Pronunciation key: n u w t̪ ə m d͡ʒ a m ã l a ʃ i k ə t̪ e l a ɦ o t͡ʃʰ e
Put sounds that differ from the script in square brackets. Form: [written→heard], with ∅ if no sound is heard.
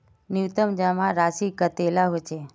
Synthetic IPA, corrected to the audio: n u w t̪ ə m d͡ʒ a m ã [l→ɾ] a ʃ i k ə t̪ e l a ɦ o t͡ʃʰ e